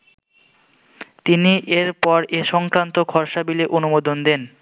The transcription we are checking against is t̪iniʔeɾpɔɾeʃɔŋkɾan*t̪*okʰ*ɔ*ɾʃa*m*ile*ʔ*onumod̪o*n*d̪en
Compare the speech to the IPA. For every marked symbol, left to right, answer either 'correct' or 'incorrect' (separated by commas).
correct, correct, incorrect, correct, correct